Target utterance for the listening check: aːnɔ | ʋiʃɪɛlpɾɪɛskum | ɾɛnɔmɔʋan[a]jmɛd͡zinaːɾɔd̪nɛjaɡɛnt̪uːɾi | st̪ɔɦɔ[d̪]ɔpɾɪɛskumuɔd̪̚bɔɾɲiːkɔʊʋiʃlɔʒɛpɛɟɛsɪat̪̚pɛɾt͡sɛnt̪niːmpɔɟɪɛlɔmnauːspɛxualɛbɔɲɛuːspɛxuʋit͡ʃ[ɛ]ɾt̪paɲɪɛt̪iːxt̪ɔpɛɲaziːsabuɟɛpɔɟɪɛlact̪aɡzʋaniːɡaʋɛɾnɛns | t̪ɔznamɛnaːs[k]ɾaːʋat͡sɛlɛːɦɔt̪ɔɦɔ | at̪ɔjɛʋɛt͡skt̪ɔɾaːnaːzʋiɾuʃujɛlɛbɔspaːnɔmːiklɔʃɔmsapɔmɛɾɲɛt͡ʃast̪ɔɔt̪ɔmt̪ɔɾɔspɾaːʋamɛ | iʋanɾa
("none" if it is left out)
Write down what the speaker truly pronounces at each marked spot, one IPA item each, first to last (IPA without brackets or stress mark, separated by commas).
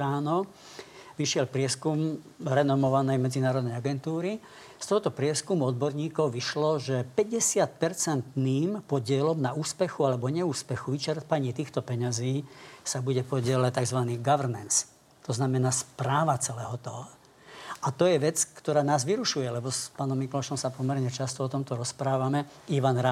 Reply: ɛ, t̪, ɛ, p